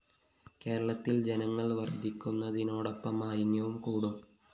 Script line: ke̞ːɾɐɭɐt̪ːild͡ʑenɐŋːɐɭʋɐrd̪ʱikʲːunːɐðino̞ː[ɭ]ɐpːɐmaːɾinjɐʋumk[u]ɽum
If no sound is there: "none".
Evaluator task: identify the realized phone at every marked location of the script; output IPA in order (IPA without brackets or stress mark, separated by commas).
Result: ɽ, uː